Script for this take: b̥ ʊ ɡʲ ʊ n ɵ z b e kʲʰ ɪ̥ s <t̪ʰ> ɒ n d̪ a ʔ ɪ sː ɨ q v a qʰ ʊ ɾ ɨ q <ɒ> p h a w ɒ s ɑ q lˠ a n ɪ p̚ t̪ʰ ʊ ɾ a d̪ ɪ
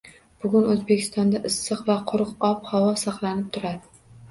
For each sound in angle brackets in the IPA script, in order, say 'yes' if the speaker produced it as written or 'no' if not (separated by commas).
no, yes